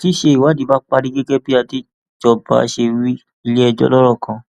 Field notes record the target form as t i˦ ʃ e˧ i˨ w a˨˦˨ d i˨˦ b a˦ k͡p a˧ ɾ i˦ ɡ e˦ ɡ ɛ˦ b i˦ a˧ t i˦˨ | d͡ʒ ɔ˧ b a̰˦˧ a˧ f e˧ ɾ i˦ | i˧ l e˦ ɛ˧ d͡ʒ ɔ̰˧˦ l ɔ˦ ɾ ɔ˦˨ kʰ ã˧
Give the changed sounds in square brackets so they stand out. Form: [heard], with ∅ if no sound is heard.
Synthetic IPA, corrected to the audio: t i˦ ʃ e˧ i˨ w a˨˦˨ d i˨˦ b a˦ k͡p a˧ ɾ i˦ ɡ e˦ ɡ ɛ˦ b i˦ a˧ t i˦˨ | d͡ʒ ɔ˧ b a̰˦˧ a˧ [ʃ] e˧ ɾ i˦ | i˧ l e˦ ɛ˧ d͡ʒ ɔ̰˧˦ l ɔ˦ ɾ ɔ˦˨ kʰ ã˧